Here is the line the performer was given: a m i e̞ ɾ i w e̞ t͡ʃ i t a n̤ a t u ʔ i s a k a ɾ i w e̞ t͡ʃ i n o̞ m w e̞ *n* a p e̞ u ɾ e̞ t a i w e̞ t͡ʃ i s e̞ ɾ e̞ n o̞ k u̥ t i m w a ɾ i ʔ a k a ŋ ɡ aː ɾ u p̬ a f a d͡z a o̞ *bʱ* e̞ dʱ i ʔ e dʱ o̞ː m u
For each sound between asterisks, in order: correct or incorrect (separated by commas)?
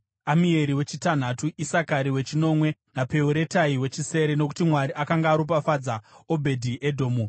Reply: correct, correct